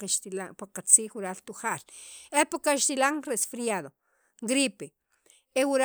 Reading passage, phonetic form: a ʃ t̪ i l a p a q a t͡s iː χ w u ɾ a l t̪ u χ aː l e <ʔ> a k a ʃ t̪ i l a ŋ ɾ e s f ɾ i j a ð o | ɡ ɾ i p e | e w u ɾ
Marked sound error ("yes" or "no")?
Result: yes